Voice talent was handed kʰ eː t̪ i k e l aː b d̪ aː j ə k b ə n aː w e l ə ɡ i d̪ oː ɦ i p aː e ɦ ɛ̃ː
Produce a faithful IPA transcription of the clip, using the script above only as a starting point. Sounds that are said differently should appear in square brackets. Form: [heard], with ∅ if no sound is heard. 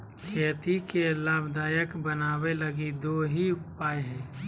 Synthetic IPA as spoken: kʰ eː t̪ i k e l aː b d̪ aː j ə k b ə n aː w e l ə ɡ i d̪ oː ɦ i p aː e ɦ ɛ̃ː